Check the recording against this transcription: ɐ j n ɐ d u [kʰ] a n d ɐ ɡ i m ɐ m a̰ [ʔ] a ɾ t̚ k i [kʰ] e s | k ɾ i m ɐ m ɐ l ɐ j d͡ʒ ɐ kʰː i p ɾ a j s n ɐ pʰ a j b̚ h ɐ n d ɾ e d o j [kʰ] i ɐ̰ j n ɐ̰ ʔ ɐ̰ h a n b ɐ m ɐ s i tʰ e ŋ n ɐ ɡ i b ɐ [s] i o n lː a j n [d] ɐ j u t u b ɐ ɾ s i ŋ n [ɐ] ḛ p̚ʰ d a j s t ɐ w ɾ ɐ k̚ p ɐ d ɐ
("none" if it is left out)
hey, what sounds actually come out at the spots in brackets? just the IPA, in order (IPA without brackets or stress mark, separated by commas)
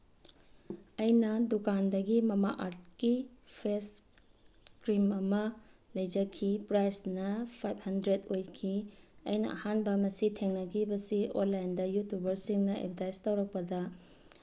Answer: k, ʔ, pʰ, kʰ, s, d, ɐ